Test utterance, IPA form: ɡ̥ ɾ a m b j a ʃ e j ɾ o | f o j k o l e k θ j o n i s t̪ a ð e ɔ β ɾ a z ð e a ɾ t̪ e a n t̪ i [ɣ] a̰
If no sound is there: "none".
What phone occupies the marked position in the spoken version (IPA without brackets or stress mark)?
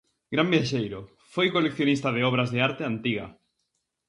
ɣ